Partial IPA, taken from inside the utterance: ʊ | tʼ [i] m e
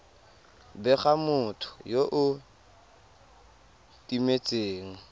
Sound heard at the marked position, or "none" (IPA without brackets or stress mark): i